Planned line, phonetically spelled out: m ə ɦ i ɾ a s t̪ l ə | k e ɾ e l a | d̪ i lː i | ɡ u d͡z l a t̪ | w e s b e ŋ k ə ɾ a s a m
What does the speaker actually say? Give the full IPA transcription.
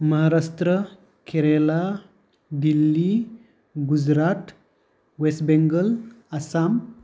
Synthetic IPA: m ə ɦ a ɾ a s t̪ ɾ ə | k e ɾ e l a | d̪ i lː i | ɡ u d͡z ɾ a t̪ | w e s b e ŋ ɡ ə l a s a m